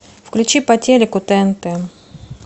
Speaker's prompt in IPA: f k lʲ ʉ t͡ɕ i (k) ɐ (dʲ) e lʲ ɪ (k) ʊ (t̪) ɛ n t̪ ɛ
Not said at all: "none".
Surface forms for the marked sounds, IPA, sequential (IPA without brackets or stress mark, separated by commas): p, tʲ, k, t̪